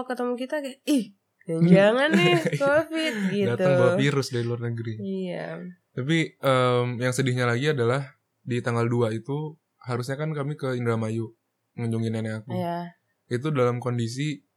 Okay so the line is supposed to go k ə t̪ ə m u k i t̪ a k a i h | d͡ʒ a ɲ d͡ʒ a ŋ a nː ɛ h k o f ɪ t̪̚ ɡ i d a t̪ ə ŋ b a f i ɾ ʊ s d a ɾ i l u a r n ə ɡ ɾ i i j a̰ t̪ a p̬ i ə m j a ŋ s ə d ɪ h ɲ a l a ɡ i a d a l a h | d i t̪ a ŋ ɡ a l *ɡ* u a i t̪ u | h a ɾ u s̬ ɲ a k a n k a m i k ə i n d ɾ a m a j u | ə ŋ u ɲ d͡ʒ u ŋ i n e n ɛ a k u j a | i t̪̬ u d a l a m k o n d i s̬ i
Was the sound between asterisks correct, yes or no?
no